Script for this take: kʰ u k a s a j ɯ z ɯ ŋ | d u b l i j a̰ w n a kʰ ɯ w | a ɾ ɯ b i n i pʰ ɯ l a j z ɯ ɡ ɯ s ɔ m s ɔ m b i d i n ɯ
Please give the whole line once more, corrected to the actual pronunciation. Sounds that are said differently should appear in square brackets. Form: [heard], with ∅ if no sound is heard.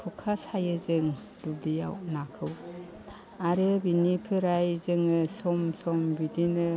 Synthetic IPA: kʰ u [kʰ] a s a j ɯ z ɯ ŋ | d u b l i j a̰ w n a kʰ ɯ w | a ɾ ɯ b i n i pʰ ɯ [ɾ] a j z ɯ [ŋ] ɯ s ɔ m s ɔ m b i d i n ɯ

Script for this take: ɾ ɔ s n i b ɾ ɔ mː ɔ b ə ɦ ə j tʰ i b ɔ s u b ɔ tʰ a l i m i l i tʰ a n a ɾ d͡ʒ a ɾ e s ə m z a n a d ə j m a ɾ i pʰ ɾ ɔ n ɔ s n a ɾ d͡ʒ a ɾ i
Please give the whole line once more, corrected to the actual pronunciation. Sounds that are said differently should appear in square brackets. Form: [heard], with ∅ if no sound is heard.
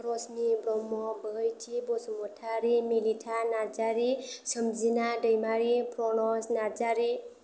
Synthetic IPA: ɾ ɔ s n i b ɾ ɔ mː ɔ b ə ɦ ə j tʰ i b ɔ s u [m] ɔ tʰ a [ɾ] i m i l i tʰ a n a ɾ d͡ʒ a ɾ [i] s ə m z [i] n a d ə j m a ɾ i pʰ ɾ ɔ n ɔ s n a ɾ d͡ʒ a ɾ i

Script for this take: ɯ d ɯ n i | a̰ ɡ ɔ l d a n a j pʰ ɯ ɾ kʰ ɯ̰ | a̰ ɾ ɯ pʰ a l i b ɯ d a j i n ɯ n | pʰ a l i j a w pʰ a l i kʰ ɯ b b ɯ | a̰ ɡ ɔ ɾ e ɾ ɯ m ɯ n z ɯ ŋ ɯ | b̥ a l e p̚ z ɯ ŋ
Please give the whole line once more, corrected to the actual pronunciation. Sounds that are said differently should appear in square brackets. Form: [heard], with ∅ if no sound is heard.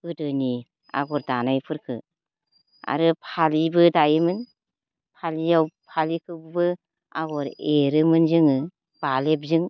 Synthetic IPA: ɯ d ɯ n i | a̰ ɡ ɔ [ɾ] d a n a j pʰ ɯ ɾ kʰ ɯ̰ | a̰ ɾ ɯ pʰ a l i b ɯ d a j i [m] ɯ n | pʰ a l i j a w pʰ a l i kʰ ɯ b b ɯ | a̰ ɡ ɔ ɾ e ɾ ɯ m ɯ n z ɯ ŋ ɯ | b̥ a l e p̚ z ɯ ŋ

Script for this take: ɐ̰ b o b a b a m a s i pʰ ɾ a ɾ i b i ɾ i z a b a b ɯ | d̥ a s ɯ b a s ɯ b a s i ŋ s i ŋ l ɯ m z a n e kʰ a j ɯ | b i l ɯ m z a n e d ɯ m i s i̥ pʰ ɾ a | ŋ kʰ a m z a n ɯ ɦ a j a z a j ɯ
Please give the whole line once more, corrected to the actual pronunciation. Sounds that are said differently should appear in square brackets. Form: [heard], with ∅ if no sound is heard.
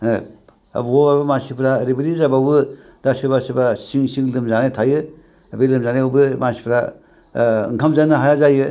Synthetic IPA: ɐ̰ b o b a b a m a s i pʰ ɾ a ɾ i b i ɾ i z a b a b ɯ | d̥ a s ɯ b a s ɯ b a s i ŋ s i ŋ l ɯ m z a n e [tʰ] a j ɯ | b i l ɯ m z a n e [b] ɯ m [a] s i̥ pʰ ɾ a | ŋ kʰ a m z a n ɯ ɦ a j a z a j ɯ

